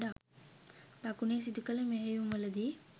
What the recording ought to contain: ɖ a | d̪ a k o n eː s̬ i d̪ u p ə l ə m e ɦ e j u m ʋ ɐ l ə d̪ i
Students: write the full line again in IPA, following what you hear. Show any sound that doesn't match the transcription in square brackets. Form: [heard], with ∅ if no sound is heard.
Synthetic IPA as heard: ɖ a | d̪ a k [u] n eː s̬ i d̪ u [k] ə l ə m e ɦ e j u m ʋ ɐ l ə d̪ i